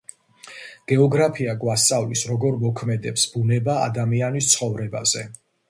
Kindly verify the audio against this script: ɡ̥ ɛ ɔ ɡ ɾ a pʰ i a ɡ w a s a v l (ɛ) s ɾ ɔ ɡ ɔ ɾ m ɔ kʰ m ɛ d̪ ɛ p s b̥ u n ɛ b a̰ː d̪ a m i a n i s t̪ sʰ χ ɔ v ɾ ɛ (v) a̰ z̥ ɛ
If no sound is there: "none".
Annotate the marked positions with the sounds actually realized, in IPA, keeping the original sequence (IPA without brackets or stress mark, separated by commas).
i, b